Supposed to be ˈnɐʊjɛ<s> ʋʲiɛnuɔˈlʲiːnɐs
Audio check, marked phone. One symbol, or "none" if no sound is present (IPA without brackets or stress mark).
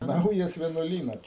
s